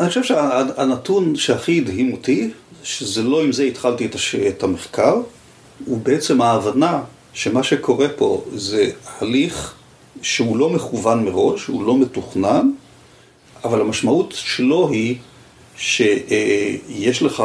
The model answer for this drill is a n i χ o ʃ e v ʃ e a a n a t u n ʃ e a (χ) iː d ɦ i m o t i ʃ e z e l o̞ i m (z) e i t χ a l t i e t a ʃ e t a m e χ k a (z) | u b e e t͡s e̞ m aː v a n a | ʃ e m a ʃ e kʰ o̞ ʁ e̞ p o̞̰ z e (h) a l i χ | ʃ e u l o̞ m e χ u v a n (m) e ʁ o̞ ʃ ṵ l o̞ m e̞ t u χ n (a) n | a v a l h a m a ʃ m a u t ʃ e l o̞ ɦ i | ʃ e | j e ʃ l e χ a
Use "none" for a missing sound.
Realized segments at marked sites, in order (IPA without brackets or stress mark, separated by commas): χ, z, ʁ, h, m, a